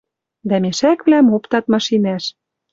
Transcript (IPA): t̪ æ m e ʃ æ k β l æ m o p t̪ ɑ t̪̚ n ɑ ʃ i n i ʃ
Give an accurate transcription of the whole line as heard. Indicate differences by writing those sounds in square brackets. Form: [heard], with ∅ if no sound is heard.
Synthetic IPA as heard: [d̪] æ m e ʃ æ k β l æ m o p t̪ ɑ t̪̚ [m] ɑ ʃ i n [æ] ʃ